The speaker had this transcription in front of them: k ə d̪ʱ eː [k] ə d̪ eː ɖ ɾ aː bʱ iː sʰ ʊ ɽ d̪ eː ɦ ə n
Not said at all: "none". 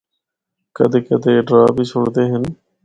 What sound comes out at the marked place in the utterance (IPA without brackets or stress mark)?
k